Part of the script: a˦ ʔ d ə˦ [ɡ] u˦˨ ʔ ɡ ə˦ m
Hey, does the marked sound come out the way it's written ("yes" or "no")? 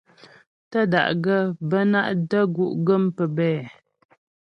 yes